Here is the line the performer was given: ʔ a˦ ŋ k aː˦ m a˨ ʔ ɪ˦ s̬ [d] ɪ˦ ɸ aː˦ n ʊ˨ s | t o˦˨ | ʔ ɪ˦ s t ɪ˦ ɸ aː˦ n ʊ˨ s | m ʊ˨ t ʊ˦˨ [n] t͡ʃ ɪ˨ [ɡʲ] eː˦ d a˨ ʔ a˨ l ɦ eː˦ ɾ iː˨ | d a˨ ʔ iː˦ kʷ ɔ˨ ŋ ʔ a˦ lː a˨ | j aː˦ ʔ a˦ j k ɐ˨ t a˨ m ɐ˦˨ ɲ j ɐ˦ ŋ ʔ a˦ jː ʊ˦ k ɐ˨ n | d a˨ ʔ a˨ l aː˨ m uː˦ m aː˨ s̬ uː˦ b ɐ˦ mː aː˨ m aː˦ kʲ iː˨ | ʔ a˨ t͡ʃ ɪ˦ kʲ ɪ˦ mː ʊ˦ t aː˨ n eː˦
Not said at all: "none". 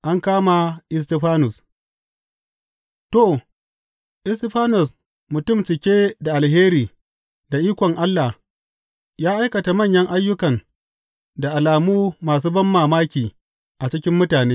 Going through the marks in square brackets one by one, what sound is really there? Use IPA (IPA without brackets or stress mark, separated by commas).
t, m, kʲ